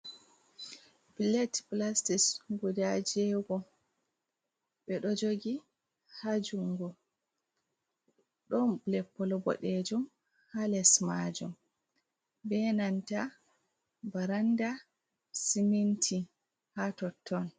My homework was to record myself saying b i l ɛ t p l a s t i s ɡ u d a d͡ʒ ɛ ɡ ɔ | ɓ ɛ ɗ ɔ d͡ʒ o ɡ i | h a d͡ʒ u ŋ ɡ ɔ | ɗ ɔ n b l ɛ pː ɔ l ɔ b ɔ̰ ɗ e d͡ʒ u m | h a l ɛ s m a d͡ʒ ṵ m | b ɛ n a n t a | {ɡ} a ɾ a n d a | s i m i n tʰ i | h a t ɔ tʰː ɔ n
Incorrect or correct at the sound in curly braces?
incorrect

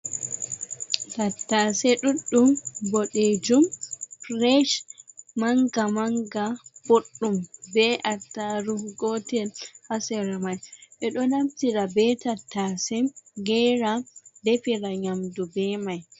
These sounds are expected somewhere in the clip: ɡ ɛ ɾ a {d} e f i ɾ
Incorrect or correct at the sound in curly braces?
correct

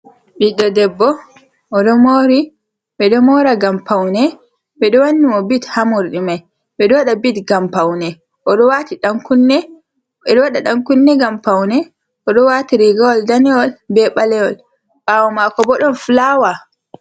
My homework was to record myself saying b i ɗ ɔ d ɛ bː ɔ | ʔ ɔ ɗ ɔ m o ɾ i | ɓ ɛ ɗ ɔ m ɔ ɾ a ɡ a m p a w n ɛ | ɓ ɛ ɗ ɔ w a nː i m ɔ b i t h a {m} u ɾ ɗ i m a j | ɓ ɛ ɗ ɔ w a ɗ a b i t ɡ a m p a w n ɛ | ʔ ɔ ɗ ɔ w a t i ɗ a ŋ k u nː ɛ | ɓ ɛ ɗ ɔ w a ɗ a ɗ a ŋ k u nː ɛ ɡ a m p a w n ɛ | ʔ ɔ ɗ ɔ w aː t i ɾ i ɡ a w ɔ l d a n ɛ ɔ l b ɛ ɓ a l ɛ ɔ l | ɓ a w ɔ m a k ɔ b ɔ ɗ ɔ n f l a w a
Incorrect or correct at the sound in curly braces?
correct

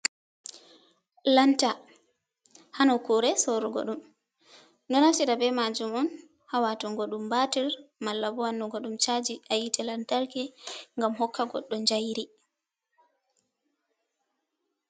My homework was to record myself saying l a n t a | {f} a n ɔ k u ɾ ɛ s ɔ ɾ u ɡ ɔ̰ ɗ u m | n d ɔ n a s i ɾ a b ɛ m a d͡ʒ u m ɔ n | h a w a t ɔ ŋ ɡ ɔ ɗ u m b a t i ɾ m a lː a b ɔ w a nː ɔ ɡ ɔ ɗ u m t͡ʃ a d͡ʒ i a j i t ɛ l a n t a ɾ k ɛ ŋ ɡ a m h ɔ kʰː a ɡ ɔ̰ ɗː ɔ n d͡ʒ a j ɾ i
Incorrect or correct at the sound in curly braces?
incorrect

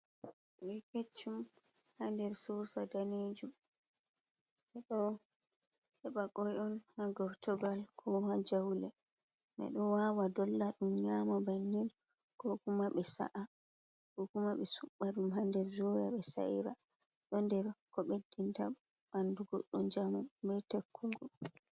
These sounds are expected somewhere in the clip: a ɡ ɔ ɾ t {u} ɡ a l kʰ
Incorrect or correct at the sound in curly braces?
incorrect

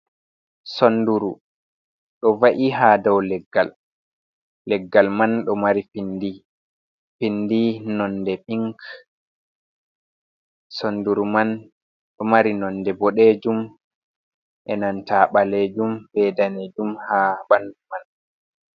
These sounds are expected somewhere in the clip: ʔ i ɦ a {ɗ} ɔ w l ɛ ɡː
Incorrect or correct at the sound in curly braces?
incorrect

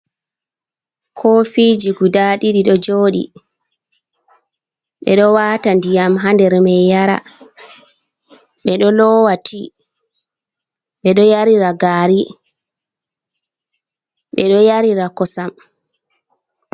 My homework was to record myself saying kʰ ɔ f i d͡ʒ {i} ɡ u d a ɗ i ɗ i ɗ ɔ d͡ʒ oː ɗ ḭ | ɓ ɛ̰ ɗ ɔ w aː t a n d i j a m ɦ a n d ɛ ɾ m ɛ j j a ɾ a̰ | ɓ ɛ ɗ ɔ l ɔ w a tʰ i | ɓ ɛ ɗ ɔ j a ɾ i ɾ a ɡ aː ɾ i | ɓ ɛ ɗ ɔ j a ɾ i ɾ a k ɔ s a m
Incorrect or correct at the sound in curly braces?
correct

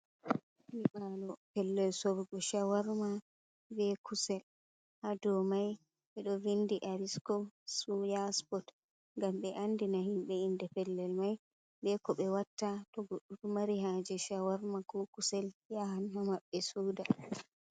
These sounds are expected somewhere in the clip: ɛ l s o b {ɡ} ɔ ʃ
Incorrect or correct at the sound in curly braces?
correct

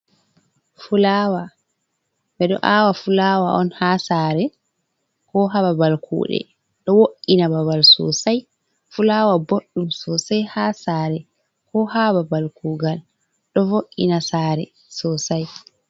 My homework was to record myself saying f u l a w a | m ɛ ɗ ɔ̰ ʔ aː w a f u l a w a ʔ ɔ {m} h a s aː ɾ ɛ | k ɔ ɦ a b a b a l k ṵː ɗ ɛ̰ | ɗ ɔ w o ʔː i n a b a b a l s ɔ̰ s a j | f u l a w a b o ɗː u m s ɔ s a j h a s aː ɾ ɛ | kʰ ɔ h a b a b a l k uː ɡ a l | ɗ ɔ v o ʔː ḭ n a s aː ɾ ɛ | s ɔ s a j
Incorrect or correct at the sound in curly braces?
incorrect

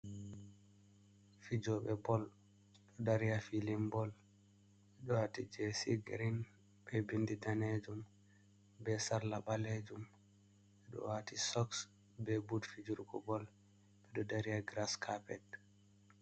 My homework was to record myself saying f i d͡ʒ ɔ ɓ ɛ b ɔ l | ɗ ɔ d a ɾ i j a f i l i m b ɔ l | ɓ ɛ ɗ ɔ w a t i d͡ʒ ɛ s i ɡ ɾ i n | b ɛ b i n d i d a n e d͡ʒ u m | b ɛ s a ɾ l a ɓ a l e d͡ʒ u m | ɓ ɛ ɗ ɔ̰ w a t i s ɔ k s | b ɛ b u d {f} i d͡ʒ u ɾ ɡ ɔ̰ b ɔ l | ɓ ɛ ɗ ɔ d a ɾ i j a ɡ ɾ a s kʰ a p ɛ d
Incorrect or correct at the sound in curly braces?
correct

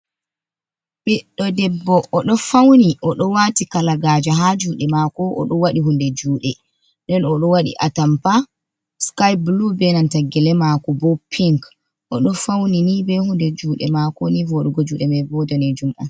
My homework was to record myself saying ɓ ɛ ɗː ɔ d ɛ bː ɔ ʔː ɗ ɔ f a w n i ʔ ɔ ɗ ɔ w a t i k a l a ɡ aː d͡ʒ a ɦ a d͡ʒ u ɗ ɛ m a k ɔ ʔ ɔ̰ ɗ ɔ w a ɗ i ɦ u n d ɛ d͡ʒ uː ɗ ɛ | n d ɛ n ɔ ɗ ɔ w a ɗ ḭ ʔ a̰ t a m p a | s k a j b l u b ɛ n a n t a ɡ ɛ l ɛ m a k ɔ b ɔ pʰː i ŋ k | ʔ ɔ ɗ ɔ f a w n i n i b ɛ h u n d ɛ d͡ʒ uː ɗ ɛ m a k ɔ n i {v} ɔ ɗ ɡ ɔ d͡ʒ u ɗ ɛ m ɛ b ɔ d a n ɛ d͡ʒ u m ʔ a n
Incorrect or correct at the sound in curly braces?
correct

